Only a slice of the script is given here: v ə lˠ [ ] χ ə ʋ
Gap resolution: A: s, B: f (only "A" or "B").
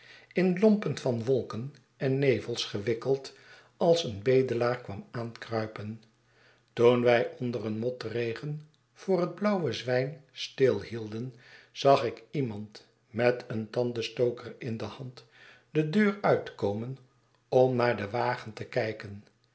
A